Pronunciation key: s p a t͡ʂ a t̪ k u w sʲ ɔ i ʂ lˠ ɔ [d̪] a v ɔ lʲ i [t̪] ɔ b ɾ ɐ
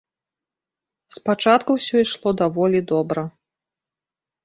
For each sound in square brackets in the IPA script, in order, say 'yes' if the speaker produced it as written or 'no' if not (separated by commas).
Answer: yes, no